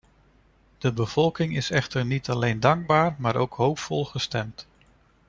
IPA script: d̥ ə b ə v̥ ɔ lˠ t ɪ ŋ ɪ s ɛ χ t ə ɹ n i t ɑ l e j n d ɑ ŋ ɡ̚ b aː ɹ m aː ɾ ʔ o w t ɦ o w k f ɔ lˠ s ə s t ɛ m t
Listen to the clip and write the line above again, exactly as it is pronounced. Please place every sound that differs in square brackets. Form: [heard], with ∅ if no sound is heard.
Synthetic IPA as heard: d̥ ə b ə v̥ ɔ lˠ [k] ɪ ŋ ɪ s ɛ χ t ə ɹ n i t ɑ l e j n d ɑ ŋ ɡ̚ b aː ɹ m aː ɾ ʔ o w [k] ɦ o w [p] f ɔ lˠ [χ] ə s t ɛ m t